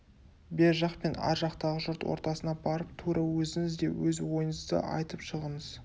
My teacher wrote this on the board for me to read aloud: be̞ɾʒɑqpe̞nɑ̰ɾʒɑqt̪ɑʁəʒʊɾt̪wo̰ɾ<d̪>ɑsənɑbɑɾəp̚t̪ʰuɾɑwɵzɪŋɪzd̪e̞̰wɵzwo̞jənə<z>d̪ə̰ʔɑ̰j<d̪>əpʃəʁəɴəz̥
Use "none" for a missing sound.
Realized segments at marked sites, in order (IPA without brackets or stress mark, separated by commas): t̪, z, t̪